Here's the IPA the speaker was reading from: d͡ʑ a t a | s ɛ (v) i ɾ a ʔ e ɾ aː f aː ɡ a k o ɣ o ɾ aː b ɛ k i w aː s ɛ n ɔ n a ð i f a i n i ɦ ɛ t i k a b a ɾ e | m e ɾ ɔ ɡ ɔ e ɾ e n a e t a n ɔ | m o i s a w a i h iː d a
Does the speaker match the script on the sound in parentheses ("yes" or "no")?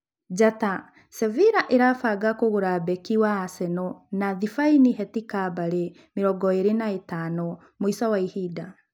yes